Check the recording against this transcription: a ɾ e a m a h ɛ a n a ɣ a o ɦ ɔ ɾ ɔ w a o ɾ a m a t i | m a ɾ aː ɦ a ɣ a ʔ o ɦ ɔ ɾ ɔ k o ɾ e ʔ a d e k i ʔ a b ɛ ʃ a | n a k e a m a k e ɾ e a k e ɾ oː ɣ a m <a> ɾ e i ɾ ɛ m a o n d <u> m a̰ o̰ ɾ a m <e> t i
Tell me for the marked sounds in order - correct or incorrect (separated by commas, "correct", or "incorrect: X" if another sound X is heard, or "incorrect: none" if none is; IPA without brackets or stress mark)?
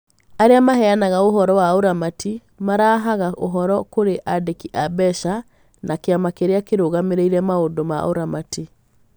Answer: incorrect: e, incorrect: o, incorrect: a